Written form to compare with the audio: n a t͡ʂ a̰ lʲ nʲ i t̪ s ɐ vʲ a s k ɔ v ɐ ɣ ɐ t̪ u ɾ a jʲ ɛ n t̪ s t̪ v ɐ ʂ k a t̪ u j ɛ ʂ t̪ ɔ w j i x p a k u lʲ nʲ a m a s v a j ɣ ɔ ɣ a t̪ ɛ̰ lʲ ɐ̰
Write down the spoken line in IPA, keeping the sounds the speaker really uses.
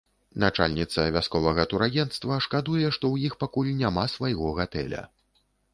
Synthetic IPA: n a t͡ʂ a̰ lʲ nʲ i t̪ s ɐ vʲ a s k ɔ v ɐ ɣ ɐ t̪ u ɾ a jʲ ɛ n t̪ s t̪ v ɐ ʂ k a d̪ u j ɛ ʂ t̪ ɔ w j i x p a k u lʲ nʲ a m a s v a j ɣ ɔ ɣ a t̪ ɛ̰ lʲ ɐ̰